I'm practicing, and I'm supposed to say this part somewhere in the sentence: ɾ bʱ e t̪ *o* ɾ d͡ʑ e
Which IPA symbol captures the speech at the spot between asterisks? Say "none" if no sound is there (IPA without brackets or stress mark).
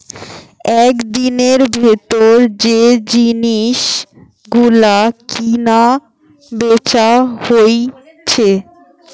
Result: o